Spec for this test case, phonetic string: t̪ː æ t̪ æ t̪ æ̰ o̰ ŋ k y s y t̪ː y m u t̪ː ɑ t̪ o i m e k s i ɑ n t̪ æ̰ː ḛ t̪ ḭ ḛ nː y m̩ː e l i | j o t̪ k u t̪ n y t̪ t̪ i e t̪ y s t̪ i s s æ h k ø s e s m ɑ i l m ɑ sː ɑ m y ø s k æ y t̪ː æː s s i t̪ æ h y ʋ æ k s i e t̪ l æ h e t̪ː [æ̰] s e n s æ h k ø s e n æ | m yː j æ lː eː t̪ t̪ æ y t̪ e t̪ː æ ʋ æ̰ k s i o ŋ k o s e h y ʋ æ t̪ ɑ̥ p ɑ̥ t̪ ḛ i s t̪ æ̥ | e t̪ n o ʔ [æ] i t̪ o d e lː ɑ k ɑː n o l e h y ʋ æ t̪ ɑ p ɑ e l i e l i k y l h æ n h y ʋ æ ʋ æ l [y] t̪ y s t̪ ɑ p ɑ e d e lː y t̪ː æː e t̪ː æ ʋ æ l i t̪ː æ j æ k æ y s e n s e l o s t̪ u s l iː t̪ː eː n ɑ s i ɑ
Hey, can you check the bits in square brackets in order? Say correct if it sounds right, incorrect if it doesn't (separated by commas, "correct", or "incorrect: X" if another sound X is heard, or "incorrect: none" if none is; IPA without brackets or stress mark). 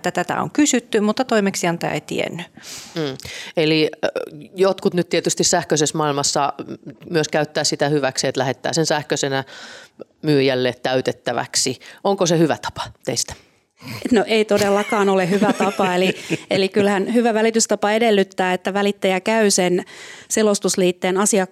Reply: incorrect: æ̰ː, incorrect: e, incorrect: i